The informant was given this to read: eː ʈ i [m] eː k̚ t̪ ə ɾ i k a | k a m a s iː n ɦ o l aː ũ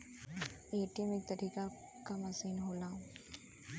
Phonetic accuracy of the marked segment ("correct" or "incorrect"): correct